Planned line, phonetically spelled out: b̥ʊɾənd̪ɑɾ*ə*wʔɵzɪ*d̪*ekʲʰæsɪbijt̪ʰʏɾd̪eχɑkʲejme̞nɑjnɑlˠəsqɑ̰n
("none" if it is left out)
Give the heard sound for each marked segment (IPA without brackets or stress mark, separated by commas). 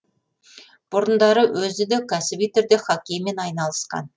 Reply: ə, d̪